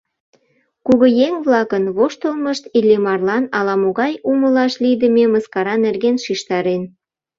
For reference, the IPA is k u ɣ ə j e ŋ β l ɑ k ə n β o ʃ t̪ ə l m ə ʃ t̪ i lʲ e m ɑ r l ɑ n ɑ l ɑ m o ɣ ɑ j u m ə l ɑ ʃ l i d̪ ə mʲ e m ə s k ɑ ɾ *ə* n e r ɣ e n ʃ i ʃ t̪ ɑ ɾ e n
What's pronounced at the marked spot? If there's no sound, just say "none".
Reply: ɑ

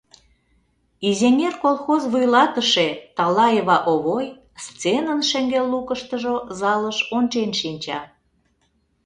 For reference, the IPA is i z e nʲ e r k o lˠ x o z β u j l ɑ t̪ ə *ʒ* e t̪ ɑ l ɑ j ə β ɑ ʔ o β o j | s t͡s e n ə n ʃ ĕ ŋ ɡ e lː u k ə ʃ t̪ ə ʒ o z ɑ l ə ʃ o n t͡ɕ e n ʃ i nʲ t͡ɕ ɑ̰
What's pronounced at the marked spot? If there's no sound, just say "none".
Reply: ʃ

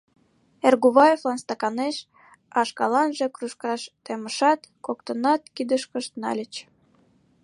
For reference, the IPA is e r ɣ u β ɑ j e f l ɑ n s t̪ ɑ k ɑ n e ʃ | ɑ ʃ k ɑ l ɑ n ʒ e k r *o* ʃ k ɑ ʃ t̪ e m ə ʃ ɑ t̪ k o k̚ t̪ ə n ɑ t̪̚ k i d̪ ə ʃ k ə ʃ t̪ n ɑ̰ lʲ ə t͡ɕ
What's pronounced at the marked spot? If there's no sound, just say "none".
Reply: u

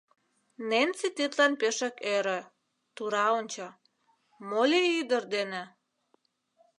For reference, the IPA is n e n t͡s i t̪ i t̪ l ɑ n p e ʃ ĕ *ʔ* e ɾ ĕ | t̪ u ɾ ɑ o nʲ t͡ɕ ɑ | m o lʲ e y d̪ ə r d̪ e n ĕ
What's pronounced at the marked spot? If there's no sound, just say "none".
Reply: k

